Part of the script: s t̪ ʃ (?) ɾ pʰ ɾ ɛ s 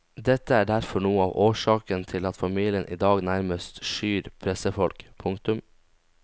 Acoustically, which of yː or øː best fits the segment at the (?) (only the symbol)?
yː